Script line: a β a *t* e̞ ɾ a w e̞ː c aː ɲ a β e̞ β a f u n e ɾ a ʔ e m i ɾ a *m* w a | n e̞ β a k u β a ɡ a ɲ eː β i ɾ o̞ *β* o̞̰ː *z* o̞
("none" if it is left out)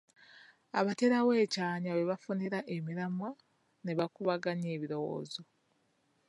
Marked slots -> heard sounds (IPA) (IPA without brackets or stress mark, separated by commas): t, m, w, z